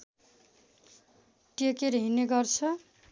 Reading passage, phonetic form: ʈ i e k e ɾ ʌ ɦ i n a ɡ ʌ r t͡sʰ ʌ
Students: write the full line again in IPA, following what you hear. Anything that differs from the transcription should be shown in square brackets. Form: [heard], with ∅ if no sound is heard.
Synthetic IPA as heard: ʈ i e k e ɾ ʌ ɦ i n [e] ɡ ʌ r t͡sʰ ʌ